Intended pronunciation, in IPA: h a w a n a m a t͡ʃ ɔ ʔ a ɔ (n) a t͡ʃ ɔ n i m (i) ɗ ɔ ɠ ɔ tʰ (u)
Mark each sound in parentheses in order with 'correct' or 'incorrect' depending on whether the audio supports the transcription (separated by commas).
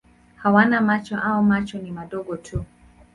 incorrect, incorrect, correct